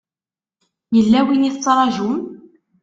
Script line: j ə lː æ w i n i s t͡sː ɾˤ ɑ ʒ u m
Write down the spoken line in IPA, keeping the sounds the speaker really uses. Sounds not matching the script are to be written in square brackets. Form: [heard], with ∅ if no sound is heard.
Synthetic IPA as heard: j ə lː æ w i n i [θ] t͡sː ɾˤ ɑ ʒ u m